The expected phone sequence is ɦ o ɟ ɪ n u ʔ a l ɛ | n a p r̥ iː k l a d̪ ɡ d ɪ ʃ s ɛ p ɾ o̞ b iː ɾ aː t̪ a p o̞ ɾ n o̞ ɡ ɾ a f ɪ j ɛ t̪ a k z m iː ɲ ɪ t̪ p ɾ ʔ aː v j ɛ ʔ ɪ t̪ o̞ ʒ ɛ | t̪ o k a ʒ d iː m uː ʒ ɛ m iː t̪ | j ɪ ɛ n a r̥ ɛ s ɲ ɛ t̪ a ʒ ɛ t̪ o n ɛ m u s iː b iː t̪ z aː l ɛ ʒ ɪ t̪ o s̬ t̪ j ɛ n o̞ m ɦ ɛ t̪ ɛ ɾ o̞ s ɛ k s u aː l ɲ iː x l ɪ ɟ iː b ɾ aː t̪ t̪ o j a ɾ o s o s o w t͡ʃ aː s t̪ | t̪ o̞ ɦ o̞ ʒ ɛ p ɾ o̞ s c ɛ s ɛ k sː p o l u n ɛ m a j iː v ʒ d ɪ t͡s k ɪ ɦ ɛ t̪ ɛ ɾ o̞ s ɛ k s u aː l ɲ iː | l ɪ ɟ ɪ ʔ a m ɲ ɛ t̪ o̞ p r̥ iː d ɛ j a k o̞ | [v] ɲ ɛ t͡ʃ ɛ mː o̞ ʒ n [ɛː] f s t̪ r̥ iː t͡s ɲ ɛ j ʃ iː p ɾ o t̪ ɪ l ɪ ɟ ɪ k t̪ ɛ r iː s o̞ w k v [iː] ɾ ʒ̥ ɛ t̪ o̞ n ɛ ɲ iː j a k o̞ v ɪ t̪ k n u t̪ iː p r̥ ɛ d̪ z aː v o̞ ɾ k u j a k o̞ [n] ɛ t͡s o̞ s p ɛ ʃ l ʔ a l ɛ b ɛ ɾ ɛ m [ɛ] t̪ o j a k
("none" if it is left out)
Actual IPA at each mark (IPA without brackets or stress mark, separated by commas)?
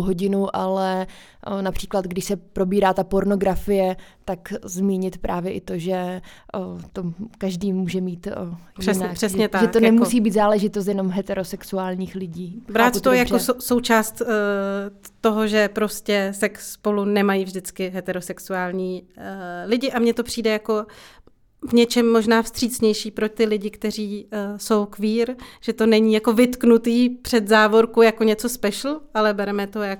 v, aː, iː, ɲ, ɛ